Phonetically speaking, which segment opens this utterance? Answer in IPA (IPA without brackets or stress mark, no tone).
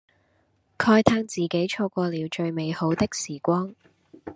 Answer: kʰ